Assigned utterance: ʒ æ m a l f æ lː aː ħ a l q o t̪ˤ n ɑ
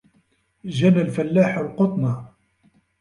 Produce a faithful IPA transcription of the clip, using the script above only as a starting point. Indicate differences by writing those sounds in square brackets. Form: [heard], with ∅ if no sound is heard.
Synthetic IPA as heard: ʒ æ [n] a l f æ lː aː ħ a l q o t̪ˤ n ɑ